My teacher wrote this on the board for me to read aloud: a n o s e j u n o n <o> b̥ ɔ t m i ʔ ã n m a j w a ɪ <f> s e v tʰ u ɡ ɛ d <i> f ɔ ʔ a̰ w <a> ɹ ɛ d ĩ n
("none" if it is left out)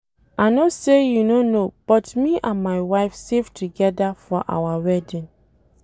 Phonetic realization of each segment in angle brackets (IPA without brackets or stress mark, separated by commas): o, f, a, a